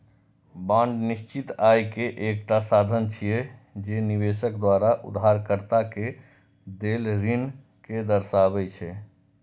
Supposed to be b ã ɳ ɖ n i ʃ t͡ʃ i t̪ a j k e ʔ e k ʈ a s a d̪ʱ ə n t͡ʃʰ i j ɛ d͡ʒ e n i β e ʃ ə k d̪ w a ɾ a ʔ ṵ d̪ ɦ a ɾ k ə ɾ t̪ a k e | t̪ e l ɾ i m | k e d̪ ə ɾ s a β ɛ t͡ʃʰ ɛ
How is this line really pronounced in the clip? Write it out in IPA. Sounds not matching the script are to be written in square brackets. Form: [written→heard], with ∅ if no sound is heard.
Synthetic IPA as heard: b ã ɳ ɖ n i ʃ t͡ʃ i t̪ a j k e ʔ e k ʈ a s a d̪ʱ ə n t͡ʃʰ i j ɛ d͡ʒ e n i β e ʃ ə k d̪ w a ɾ a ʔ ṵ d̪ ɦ a ɾ k ə ɾ t̪ a k e | [t̪→d̪] e l ɾ i [m→n] | k e d̪ ə ɾ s a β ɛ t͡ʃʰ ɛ

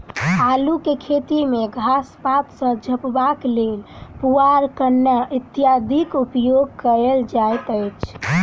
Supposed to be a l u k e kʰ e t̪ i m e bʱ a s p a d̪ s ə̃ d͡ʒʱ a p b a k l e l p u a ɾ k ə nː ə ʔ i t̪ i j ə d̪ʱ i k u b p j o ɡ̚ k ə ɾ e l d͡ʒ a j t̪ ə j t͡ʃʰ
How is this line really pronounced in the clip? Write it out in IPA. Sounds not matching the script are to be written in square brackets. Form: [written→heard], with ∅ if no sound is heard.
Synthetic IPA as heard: a l u k e kʰ e t̪ i m e [bʱ→ɡʱ] a s p a [d̪→t̪] s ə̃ d͡ʒʱ [a→ə] p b a k l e l p u a ɾ k ə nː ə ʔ i t̪ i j [ə→a] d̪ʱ i k u [b→∅] p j o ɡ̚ k ə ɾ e l d͡ʒ a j t̪ ə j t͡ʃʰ

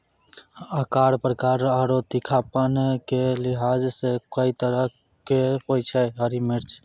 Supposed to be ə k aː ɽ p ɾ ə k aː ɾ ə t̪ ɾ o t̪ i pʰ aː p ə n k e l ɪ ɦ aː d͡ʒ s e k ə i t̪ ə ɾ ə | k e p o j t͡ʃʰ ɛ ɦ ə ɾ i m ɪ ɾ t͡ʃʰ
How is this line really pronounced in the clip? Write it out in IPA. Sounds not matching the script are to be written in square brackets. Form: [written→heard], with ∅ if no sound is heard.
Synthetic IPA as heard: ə k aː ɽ p ɾ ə k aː ɾ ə [t̪→∅] ɾ o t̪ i [pʰ→kʰ] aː p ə n k e l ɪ ɦ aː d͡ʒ s e k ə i t̪ ə ɾ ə | k e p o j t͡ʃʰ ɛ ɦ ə ɾ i m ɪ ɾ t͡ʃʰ

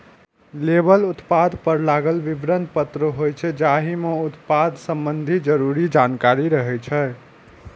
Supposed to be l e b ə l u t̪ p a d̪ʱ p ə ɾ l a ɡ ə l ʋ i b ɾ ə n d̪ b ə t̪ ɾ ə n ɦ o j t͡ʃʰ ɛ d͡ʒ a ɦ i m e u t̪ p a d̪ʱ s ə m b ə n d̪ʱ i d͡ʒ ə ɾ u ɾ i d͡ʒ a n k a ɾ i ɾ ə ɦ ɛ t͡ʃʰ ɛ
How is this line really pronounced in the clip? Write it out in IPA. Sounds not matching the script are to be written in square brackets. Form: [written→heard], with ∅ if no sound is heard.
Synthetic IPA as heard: l e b ə l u t̪ p a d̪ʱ p ə ɾ l a ɡ ə l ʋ i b ɾ ə n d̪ [b→p] ə t̪ ɾ ə [n→∅] ɦ o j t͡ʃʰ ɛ d͡ʒ a ɦ i m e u t̪ p a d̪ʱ s ə m b ə n d̪ʱ i d͡ʒ ə ɾ u ɾ i d͡ʒ a n k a ɾ i ɾ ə ɦ ɛ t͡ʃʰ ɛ

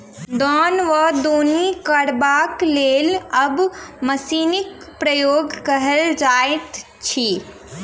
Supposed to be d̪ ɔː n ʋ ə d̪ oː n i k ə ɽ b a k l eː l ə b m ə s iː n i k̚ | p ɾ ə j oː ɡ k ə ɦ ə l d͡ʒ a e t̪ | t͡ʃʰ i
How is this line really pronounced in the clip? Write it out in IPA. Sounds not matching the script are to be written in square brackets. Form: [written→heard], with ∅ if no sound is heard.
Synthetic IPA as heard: d̪ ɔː n ʋ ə d̪ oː n i k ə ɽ b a k l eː l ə b m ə s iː n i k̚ | p ɾ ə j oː ɡ k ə ɦ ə l d͡ʒ a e t̪ | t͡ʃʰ i

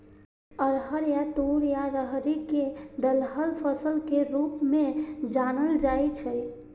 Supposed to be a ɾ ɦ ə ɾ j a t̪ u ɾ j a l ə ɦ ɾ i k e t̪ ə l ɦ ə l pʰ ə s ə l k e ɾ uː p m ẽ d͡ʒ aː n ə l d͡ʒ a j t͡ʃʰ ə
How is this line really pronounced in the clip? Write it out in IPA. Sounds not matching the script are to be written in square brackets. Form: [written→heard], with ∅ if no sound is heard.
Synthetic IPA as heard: [a→ə] ɾ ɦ ə ɾ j a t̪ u ɾ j a [l→ɾ] ə ɦ ɾ i k e [t̪→d̪] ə l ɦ ə l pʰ ə s ə l k e ɾ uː p m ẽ d͡ʒ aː n ə l d͡ʒ a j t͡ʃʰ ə

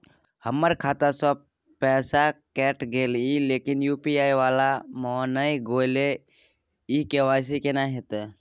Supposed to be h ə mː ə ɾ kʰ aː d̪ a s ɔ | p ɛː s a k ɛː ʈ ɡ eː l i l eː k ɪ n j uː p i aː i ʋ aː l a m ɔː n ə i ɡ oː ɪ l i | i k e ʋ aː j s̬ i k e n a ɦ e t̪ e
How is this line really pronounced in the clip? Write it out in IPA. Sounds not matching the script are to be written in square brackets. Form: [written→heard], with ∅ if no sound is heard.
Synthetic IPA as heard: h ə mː ə ɾ kʰ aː [d̪→t̪] a s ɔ | p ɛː s a k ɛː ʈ ɡ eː l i l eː k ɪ n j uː p i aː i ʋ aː l a m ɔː n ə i ɡ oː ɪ l [i→e] | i k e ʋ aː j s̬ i k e n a ɦ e t̪ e

